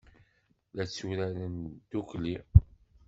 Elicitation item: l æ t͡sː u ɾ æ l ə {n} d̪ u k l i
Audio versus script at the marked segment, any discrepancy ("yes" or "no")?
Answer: no